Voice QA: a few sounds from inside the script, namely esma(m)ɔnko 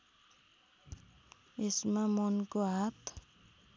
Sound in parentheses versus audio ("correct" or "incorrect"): correct